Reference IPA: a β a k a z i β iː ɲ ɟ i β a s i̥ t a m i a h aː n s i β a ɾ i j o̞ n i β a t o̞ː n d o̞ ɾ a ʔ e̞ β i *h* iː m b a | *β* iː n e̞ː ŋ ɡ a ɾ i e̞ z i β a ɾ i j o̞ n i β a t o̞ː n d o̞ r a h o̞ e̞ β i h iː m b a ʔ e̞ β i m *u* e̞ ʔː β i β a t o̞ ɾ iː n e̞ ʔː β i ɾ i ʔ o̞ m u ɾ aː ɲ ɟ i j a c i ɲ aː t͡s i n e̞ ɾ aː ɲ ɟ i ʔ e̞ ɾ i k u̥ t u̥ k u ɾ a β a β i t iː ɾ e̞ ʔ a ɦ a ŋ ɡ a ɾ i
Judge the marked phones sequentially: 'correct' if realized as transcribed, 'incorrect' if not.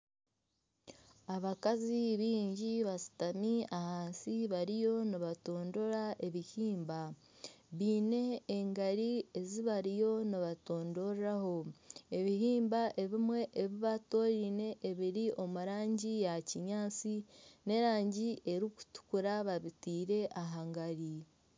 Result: correct, correct, incorrect

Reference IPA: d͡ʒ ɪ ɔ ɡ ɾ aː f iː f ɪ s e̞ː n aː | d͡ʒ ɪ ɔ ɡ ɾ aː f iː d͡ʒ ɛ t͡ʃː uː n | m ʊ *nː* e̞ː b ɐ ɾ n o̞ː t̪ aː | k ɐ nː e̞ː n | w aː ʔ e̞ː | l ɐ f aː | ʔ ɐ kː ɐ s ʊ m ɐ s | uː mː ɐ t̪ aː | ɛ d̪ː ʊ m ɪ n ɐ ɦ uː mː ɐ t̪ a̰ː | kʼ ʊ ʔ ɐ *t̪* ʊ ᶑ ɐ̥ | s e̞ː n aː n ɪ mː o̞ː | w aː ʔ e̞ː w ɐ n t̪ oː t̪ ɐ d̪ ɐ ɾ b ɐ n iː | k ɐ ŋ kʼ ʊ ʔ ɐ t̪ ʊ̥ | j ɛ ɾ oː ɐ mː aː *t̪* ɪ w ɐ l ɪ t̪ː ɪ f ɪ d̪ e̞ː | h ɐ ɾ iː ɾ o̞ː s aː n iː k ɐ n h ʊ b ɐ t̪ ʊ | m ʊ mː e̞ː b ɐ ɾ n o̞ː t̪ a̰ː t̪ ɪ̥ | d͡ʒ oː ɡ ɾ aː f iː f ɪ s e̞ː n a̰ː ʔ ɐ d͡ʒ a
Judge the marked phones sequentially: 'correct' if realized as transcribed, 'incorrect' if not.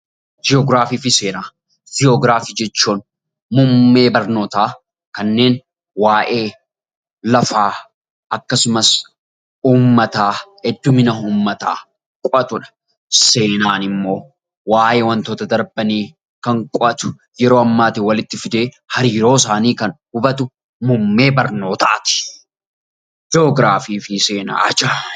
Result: incorrect, correct, correct

